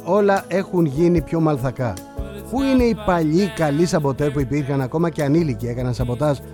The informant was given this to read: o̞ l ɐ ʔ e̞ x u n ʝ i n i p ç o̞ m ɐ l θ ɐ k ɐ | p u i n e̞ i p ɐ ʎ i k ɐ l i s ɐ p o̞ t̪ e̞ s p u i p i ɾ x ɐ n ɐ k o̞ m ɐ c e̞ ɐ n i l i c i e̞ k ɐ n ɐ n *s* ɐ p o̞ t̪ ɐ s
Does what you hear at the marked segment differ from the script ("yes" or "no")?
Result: no